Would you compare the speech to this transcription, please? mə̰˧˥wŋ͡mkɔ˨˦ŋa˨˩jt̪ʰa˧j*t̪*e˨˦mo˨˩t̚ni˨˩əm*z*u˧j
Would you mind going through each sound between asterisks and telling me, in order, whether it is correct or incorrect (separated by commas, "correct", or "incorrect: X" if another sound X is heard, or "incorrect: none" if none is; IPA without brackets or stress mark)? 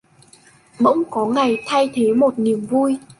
incorrect: t̪ʰ, incorrect: v